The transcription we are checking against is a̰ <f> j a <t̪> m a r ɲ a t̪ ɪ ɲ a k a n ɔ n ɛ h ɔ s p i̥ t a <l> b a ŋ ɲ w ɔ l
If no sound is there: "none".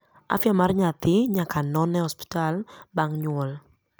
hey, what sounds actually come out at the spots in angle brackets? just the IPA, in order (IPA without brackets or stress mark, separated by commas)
f, none, l